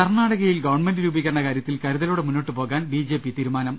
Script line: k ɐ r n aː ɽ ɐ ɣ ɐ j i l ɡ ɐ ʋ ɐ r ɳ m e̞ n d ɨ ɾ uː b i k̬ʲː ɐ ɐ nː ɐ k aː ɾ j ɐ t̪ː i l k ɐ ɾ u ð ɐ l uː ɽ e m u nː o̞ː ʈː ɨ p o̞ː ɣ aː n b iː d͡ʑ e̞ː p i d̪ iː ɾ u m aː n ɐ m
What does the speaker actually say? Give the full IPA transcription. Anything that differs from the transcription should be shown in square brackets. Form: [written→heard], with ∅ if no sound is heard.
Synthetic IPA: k ɐ r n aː ɽ ɐ ɣ ɐ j i l ɡ ɐ ʋ ɐ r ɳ m e̞ n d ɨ ɾ uː b i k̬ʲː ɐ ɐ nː ɐ k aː ɾ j ɐ t̪ː i l k ɐ ɾ u ð ɐ l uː ɽ e m u nː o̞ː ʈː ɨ p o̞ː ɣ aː n b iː d͡ʑ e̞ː p i [d̪→t̪] iː ɾ u m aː n ɐ m